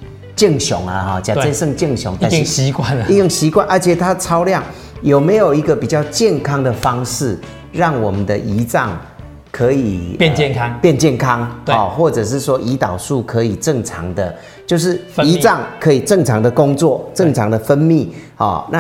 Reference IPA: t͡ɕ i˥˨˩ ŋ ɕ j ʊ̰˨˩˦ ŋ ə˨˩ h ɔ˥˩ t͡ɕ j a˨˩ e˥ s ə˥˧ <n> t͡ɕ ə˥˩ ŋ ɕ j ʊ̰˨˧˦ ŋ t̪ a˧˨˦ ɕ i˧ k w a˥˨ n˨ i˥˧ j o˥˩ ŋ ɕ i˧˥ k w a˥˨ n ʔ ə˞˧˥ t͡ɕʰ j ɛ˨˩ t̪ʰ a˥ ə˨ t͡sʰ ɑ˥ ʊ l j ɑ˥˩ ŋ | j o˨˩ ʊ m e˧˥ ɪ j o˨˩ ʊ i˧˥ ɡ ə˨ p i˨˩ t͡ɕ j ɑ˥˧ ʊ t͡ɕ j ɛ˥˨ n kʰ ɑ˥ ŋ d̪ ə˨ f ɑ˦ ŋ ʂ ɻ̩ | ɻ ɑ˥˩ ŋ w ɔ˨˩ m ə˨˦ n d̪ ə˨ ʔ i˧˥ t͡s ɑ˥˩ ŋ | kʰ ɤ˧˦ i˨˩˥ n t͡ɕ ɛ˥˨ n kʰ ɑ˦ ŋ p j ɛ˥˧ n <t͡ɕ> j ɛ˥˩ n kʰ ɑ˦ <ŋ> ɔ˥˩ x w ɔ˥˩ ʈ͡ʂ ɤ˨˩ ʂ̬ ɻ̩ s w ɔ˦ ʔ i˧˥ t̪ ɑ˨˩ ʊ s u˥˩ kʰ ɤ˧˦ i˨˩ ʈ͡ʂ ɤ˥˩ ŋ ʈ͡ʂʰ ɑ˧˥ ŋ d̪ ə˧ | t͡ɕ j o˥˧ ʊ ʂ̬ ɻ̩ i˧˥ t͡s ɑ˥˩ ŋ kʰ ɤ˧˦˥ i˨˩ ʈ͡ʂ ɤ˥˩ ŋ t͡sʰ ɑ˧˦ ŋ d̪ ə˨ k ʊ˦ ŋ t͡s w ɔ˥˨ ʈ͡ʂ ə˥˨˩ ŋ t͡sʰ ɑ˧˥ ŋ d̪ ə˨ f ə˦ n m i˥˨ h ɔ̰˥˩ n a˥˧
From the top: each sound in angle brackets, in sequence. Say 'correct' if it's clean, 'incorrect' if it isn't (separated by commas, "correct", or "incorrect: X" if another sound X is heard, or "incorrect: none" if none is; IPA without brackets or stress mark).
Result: incorrect: ŋ, correct, correct